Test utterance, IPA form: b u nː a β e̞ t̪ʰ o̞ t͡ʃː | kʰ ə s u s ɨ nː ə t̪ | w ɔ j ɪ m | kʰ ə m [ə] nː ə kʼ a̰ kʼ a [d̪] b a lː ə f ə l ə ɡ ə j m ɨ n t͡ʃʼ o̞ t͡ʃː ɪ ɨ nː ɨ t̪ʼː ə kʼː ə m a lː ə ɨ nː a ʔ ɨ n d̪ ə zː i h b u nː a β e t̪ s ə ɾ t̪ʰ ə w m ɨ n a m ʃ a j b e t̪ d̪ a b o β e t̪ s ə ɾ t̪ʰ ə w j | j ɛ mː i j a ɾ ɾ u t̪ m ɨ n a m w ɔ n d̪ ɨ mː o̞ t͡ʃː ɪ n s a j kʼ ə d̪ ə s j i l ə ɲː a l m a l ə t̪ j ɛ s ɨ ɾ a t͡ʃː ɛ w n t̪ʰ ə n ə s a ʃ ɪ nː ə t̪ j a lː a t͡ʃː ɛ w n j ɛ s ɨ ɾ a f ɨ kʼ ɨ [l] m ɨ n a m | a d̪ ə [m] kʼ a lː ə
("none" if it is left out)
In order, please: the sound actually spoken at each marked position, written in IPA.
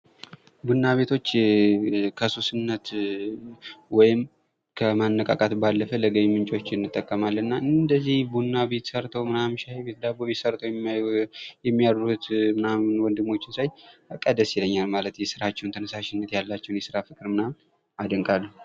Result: a, t̪, ɾ, ŋ

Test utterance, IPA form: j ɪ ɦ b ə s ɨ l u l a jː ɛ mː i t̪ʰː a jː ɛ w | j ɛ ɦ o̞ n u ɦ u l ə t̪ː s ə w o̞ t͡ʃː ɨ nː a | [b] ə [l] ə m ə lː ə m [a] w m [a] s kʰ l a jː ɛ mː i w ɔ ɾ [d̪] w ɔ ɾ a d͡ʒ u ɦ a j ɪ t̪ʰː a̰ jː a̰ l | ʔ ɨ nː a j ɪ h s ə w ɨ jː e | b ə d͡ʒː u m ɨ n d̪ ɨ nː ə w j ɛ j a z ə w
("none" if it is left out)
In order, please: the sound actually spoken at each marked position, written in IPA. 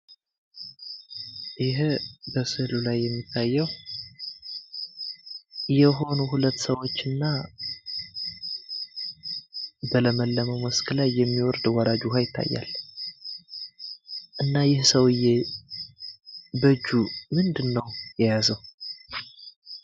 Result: b, l, ə, ə, d̪

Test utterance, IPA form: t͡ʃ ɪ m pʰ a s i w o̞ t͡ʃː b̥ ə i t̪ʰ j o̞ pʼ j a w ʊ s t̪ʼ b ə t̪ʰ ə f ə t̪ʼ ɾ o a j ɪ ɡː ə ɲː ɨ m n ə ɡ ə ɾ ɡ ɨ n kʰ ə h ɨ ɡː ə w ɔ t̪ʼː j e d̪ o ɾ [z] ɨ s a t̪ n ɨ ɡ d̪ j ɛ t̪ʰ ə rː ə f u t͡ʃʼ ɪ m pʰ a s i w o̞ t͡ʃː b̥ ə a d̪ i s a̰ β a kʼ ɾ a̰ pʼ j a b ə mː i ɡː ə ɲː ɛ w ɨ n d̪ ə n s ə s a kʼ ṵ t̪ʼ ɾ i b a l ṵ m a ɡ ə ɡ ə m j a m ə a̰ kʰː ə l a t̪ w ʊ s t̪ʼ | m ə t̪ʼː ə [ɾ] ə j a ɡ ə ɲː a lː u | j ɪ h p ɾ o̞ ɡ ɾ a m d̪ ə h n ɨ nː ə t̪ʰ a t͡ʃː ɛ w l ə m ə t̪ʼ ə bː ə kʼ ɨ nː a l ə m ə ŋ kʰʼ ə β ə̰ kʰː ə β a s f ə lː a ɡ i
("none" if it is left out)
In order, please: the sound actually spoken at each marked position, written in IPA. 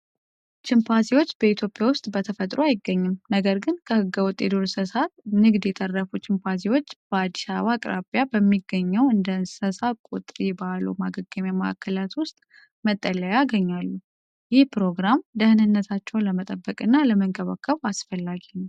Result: s, l

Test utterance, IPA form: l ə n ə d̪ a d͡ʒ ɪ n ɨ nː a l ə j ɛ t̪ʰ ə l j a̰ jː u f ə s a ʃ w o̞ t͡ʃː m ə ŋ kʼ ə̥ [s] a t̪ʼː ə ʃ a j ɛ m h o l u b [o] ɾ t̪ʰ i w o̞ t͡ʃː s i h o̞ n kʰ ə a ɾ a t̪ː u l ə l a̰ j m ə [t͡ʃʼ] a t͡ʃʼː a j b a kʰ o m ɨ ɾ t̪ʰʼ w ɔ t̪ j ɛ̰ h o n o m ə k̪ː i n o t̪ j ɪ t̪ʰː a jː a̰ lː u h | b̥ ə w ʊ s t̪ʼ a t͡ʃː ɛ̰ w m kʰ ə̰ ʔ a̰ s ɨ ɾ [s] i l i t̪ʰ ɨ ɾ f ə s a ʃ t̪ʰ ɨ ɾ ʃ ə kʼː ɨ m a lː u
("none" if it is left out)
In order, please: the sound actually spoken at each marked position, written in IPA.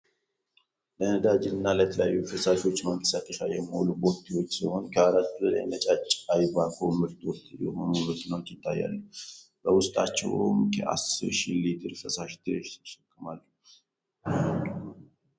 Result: s, o, t͡ʃʼ, ʃ

